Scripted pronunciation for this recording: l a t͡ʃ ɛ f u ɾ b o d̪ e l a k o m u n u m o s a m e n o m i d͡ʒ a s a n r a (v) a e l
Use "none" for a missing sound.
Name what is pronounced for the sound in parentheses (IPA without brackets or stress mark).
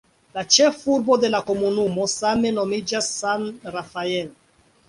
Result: f